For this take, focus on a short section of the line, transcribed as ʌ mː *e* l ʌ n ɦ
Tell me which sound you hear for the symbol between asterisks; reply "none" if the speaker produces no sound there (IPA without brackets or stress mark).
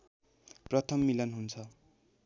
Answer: i